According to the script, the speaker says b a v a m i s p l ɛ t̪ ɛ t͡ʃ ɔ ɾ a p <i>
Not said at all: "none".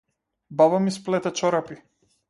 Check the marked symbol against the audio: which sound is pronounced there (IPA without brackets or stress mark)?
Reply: i